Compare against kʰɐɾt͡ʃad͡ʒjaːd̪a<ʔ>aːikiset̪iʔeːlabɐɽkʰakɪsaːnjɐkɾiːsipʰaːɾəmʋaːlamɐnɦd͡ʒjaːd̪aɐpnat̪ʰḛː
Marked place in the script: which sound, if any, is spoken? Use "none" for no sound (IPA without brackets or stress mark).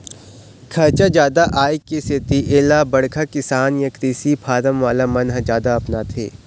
ʔ